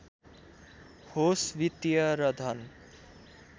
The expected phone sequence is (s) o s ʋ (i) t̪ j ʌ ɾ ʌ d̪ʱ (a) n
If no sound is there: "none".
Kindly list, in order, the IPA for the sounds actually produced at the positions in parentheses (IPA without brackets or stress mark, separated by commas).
h, i, ʌ